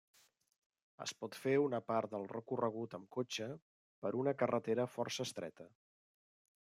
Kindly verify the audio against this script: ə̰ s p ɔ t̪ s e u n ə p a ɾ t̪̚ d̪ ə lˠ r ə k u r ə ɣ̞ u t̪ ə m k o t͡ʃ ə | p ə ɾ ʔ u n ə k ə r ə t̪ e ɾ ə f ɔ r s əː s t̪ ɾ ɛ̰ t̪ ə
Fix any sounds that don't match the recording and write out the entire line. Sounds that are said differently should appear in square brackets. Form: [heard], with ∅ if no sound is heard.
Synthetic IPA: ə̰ s p ɔ t̪ [f] e u n ə p a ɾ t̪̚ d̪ ə lˠ r ə k u r ə ɣ̞ u t̪ ə m k o t͡ʃ ə | p ə ɾ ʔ u n ə k ə r ə t̪ e ɾ ə f ɔ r s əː s t̪ ɾ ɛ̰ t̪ ə